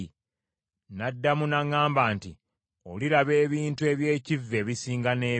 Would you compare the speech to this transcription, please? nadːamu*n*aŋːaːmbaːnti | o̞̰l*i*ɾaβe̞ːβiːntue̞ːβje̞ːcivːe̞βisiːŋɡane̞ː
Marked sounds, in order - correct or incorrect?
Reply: correct, correct

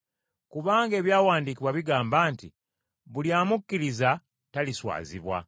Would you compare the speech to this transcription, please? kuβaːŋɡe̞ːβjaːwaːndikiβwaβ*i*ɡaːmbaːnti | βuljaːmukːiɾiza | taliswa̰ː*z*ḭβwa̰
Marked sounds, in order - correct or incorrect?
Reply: correct, correct

